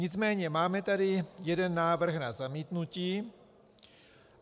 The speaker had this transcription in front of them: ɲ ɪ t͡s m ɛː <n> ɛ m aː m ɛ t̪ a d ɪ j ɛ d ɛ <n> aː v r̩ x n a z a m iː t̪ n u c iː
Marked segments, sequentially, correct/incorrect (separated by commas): incorrect, incorrect